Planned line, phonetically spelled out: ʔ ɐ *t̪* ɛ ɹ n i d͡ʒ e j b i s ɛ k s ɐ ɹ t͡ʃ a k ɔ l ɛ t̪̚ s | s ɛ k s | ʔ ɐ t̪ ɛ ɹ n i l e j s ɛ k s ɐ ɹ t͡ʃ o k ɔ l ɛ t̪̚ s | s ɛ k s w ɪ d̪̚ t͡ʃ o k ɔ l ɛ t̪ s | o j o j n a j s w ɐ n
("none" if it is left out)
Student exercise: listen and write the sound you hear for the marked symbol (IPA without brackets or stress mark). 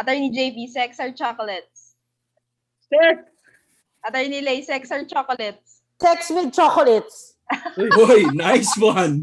t̪